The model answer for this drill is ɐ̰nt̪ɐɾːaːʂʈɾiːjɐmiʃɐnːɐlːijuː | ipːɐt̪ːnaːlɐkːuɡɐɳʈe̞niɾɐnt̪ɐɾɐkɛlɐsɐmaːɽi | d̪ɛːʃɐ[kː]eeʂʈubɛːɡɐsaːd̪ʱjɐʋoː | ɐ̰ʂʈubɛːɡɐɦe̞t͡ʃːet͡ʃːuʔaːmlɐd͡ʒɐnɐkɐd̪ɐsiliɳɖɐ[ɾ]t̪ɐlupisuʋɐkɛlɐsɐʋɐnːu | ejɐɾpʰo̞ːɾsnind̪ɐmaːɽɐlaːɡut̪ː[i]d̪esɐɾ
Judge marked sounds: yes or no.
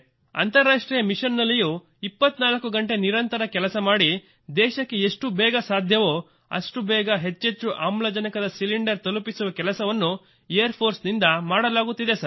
yes, yes, yes

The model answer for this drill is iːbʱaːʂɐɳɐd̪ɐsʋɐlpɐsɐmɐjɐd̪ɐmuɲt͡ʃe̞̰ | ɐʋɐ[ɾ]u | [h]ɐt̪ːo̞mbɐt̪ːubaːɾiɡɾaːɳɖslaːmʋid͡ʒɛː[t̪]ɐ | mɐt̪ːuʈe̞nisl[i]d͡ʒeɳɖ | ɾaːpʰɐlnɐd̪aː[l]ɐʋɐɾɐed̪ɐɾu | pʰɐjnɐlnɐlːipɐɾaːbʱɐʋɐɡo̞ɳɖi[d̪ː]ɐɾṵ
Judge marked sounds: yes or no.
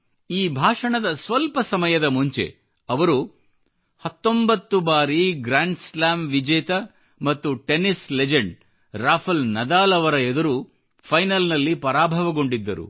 yes, yes, yes, no, yes, yes

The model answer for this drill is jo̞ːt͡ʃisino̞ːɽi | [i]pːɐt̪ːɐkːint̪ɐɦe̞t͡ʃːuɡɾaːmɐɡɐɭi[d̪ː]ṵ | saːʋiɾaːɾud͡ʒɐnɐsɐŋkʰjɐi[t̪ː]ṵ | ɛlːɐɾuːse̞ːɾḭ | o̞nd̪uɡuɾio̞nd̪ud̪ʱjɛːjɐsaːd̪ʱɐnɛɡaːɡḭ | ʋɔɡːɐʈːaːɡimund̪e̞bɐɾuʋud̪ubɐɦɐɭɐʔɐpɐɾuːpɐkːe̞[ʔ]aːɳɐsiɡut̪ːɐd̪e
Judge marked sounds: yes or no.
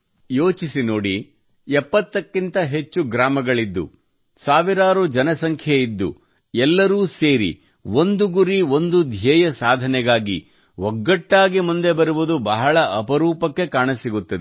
no, yes, no, no

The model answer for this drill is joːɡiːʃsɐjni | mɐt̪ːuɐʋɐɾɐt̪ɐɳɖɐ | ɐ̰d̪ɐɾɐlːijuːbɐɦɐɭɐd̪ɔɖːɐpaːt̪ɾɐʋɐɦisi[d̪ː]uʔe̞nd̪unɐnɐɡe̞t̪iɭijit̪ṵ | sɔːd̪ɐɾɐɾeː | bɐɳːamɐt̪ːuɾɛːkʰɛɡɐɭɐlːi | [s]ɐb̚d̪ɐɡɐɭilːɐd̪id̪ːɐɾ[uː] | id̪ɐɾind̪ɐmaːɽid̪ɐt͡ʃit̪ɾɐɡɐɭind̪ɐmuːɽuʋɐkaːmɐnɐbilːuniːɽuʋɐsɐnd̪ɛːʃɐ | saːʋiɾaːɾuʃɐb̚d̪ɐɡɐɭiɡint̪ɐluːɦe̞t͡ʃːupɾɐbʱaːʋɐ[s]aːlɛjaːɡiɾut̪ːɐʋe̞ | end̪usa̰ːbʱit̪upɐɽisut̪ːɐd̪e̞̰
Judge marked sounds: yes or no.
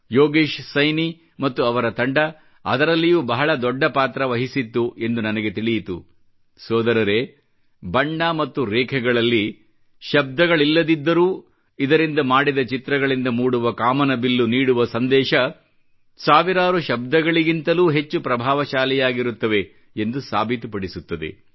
no, no, yes, no

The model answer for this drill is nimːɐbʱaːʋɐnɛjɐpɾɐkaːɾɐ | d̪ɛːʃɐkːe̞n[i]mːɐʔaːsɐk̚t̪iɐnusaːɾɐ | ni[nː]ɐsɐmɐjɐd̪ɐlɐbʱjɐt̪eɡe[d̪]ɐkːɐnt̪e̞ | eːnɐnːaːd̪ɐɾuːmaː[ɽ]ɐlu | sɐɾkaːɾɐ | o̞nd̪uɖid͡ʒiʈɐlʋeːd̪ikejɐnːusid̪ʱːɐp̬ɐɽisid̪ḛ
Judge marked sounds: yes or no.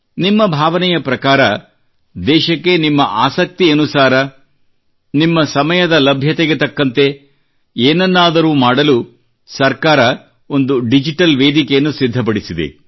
yes, no, no, yes

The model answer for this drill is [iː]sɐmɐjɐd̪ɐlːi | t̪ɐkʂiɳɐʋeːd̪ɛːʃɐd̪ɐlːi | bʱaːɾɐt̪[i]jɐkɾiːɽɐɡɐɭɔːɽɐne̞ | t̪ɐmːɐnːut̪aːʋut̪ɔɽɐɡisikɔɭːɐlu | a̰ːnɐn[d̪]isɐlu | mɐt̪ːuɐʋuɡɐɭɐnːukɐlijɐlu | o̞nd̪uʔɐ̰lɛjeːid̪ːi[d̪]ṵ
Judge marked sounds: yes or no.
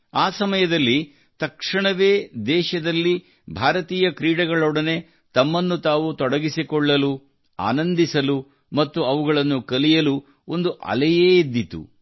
no, no, yes, no

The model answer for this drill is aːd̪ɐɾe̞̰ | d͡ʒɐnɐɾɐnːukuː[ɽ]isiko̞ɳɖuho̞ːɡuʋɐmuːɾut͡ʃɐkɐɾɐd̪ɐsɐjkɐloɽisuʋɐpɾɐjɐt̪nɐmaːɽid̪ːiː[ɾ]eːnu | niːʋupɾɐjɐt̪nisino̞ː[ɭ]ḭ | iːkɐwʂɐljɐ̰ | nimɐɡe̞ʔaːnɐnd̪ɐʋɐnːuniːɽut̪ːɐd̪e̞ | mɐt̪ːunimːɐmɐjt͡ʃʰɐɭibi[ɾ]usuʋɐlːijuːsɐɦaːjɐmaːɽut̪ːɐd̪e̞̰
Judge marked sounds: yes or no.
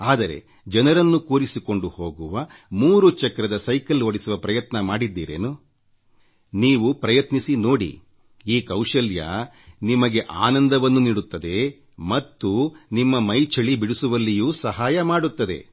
no, yes, no, no

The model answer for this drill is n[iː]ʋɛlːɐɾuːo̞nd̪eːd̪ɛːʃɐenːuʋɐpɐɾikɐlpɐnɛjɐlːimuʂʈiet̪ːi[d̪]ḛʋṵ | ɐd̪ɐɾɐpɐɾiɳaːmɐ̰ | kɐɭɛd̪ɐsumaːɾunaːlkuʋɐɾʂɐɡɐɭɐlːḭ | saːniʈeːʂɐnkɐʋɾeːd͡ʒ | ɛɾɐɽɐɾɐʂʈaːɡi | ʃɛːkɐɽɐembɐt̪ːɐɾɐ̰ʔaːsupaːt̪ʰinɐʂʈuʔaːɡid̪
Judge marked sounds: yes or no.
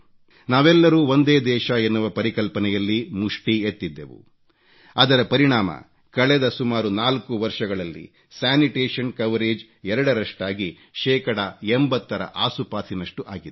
no, no

